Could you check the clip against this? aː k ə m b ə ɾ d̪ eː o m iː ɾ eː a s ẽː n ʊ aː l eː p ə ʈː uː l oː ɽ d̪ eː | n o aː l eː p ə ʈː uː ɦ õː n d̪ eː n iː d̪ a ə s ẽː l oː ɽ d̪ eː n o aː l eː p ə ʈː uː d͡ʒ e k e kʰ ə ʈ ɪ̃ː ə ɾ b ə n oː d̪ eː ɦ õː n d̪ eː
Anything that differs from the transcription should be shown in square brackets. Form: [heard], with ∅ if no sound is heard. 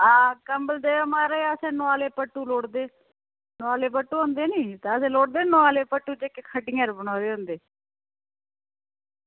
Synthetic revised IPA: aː k ə m b ə [l] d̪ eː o m [aː] ɾ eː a s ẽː n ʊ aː l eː p ə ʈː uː l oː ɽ d̪ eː | n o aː l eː p ə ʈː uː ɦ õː n d̪ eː n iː [t̪] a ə s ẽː l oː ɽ d̪ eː n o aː l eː p ə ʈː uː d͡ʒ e k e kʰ ə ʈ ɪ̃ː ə ɾ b ə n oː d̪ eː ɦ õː n d̪ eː